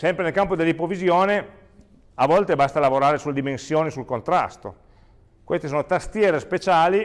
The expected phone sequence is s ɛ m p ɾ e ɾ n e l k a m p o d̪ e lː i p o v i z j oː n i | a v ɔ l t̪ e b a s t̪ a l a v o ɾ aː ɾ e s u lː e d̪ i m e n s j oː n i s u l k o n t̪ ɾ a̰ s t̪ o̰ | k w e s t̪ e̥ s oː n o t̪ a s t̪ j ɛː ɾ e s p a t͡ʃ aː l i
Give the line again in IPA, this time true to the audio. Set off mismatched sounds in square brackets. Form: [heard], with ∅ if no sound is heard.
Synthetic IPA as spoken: s ɛ m p ɾ e [∅] n e l k a m p o d̪ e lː i p o v i z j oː n [e] | a v ɔ l t̪ e b a s t̪ a l a v o ɾ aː ɾ e s u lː e d̪ i m e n s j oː n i s u l k o n t̪ ɾ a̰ s t̪ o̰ | k w e s t̪ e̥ s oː n o t̪ a s t̪ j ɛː ɾ e s p [e] t͡ʃ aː l i